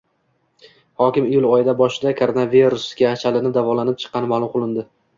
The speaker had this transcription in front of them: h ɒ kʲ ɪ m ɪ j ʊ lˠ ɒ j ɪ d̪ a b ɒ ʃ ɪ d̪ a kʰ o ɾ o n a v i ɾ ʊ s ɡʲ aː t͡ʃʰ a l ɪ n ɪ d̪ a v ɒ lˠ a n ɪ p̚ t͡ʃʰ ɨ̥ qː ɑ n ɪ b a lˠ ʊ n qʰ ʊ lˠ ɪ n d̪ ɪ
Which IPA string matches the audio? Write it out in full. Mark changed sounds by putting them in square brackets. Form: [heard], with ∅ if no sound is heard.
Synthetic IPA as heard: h ɒ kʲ ɪ m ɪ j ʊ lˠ ɒ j ɪ d̪ a b ɒ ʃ ɪ d̪ a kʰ o ɾ o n a v i ɾ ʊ s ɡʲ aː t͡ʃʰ a l ɪ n ɪ d̪ a v ɒ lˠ a n ɪ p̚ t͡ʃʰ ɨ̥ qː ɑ n ɪ [m] a lˠ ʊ [m] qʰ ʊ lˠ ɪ n d̪ ɪ